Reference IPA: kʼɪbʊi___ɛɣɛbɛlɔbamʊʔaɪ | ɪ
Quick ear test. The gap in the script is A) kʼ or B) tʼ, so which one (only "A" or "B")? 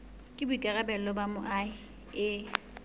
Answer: A